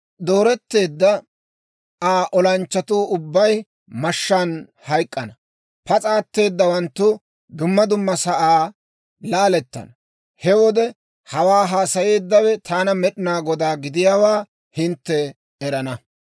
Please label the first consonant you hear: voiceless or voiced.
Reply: voiced